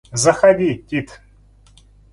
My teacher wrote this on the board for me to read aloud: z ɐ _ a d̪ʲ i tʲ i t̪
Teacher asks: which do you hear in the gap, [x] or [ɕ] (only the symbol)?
x